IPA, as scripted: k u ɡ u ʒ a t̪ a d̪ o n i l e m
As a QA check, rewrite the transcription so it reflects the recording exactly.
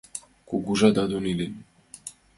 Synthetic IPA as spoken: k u ɡ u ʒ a d̪ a d̪ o n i l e n